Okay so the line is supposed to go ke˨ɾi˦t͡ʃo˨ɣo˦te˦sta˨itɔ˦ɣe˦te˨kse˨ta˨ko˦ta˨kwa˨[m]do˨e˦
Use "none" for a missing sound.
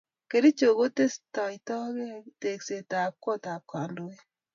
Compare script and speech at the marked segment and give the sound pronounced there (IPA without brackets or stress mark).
n